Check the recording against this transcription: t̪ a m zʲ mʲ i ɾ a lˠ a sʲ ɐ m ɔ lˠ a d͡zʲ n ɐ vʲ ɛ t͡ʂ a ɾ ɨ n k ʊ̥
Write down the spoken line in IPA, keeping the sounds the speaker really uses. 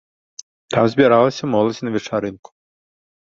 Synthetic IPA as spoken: t̪ a m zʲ bʲ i ɾ a lˠ ɐ sʲ ɐ m ɔ lˠ ɐ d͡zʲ n ɐ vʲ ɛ t͡ʂ a ɾ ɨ n k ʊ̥